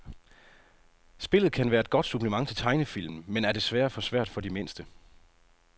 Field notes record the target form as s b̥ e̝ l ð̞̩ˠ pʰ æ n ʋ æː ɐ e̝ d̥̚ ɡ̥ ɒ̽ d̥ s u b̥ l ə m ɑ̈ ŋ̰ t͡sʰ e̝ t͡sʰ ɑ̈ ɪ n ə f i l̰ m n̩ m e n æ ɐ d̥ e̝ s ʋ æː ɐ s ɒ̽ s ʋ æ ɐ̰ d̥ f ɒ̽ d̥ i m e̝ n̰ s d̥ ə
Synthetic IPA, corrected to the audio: s b̥ e̝ l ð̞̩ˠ kʰ æ n ʋ æː ɐ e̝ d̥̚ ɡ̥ ɒ̽ d̥ s u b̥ l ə m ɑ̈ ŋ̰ t͡sʰ e̝ t͡sʰ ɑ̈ ɪ n ə f i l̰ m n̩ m e n æ ɐ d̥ e̝ s ʋ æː ɐ f ɒ̽ s ʋ æ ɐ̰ d̥ f ɒ̽ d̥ i m e̝ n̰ s d̥ ə